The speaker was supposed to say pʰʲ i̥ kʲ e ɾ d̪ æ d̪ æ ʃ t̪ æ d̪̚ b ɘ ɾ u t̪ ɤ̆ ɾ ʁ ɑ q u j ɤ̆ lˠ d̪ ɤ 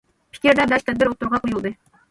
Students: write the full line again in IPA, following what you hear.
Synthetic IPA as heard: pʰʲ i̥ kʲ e ɾ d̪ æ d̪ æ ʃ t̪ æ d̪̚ b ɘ ɾ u t̪ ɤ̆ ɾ ʁ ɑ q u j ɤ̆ lˠ d̪ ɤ